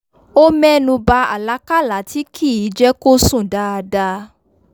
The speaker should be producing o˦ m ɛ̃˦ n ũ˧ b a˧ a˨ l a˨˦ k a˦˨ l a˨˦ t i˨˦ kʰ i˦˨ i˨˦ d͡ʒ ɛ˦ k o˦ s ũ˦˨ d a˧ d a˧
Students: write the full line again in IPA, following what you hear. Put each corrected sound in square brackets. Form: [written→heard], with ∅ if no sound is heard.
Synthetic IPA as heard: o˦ m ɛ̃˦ n ũ˧ b a˧ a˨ l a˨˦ k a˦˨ l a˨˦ t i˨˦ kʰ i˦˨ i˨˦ d͡ʒ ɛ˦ k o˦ s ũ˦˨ d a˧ d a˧